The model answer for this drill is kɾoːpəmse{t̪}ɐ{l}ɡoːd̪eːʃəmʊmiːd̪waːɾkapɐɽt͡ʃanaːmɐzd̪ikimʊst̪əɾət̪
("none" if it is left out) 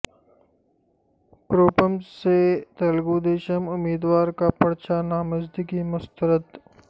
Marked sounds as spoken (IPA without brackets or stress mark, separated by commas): t̪, l